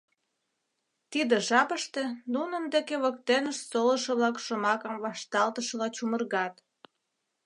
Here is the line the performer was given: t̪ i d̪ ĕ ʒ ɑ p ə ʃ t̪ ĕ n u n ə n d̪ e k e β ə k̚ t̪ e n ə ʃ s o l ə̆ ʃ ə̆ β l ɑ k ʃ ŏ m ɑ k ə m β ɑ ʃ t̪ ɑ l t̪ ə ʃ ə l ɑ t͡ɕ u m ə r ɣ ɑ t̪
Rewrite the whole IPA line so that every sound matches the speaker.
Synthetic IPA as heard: t̪ i d̪ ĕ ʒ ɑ p ə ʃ t̪ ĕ n u n ə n d̪ e k e β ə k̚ t̪ e n ə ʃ s o l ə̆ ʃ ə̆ β l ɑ k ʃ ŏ m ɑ k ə m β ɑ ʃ t̪ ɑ l t̪ ə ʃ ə l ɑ t͡ɕ u m ə r ɣ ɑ t̪